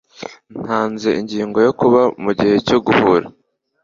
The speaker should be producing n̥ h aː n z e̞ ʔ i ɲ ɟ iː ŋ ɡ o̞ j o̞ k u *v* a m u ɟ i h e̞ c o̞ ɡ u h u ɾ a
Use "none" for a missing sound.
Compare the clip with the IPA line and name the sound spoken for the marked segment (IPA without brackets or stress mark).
β